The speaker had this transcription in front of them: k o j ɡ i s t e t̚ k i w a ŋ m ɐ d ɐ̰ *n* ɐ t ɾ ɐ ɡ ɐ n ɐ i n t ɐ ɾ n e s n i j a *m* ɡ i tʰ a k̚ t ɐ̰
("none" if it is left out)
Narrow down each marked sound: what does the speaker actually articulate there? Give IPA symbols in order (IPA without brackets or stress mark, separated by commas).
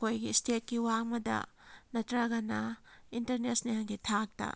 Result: n, ŋ